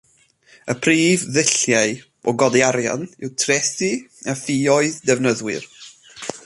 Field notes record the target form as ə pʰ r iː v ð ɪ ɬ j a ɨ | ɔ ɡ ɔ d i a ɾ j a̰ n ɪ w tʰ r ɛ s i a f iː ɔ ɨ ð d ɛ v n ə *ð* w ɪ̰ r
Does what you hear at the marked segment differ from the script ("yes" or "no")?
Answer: no